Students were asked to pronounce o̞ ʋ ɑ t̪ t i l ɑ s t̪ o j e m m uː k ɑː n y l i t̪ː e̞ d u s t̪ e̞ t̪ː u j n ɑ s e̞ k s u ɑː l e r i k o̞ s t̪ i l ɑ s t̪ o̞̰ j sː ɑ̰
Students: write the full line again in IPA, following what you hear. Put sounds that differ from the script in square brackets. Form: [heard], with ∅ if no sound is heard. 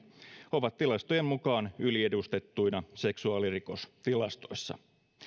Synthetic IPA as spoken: o̞ ʋ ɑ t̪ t i l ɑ s t̪ o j e m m [u] k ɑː n y l i [∅] e̞ d u s t̪ e̞ t̪ː u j n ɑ s e̞ k s u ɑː l [i] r i k o̞ s t̪ i l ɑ s t̪ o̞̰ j sː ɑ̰